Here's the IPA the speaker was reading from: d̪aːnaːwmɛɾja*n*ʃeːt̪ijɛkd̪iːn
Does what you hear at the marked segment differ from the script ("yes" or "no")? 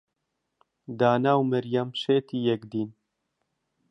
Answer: yes